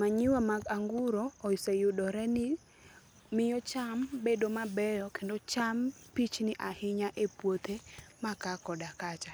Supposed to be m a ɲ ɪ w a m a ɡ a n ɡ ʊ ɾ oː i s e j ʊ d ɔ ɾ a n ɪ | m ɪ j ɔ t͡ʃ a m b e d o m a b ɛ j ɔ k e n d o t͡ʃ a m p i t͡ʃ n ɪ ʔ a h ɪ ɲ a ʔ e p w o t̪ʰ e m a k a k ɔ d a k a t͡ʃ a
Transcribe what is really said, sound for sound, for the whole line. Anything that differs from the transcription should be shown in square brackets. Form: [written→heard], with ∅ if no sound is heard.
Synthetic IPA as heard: m a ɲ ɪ w a m a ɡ a [n→ŋ] ɡ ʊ ɾ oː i s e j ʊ d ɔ ɾ [a→ɛ] n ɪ | m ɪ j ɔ t͡ʃ a m b e d o m a b ɛ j ɔ k e n d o t͡ʃ a m p i t͡ʃ n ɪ ʔ a h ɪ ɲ a ʔ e p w o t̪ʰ e m a k a k ɔ d a k a t͡ʃ a